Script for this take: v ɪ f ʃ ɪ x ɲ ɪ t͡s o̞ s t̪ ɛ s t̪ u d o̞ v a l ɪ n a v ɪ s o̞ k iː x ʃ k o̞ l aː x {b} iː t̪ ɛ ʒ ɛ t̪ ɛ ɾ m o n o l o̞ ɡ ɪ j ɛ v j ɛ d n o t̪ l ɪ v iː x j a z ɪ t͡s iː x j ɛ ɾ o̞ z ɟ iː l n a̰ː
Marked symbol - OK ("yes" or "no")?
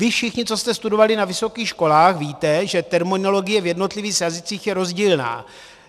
no